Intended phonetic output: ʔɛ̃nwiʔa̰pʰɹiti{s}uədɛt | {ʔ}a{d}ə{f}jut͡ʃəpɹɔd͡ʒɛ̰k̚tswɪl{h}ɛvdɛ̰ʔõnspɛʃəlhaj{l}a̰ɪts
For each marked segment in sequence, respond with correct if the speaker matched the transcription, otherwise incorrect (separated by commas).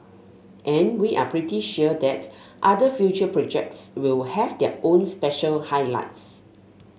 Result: incorrect, correct, correct, correct, correct, correct